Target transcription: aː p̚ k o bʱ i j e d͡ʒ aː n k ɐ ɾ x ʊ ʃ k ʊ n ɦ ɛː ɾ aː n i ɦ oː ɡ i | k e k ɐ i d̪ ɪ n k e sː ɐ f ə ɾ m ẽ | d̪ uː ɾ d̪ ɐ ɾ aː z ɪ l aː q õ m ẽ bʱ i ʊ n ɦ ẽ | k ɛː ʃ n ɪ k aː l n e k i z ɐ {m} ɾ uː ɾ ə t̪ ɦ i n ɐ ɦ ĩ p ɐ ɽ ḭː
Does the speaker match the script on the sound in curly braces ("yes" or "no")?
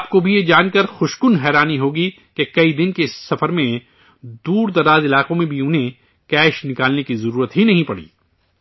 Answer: no